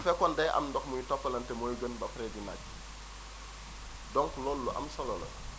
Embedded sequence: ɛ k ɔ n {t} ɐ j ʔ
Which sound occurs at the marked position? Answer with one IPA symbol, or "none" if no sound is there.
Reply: d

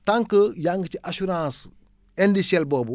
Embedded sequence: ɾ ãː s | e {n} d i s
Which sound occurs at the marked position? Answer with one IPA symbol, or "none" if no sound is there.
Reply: n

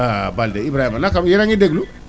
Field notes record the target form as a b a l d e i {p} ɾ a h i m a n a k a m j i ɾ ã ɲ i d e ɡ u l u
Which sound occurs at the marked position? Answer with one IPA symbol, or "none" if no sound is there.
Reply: b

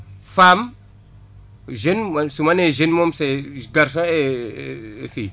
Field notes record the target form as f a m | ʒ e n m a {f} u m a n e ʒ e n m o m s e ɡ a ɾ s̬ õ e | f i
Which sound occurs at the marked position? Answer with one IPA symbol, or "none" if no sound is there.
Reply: s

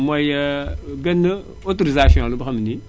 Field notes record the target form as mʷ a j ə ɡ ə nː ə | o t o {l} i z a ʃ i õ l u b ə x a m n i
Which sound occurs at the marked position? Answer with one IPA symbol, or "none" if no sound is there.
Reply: ɾ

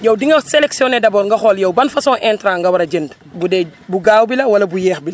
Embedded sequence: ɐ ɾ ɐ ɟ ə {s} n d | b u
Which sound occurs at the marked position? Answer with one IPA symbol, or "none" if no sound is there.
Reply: none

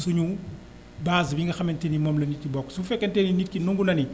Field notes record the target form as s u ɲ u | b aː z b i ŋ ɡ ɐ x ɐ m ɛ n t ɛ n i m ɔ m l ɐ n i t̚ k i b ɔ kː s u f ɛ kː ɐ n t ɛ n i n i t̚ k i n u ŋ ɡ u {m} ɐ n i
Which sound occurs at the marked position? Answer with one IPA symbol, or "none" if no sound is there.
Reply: n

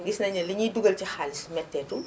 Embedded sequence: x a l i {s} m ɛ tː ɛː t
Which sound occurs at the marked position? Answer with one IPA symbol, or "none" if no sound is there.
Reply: s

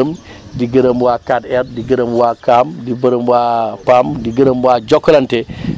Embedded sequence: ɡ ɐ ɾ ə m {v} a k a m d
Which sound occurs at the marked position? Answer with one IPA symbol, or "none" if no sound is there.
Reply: w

